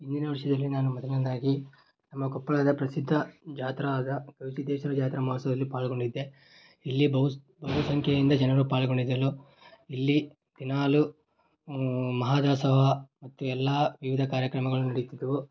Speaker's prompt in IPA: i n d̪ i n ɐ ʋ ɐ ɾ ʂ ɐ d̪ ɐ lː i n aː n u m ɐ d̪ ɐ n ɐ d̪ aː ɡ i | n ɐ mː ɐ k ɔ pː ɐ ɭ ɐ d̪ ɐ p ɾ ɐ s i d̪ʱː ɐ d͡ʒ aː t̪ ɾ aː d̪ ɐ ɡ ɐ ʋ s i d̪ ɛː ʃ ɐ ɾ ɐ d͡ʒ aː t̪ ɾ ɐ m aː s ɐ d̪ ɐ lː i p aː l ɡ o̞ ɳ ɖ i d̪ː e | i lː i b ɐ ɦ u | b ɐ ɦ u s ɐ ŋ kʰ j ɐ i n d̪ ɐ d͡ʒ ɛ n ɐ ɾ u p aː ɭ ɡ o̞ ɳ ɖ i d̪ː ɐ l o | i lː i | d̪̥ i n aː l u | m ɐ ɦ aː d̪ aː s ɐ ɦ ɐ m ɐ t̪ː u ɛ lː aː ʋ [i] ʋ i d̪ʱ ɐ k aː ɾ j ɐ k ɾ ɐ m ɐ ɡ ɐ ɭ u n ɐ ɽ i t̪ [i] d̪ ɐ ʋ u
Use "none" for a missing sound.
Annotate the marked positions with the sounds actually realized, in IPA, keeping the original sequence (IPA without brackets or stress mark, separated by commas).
i, i